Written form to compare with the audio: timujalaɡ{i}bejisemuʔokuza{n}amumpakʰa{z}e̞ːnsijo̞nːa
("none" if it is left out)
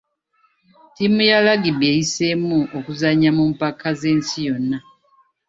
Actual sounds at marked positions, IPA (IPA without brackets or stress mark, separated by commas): i, ɲ, z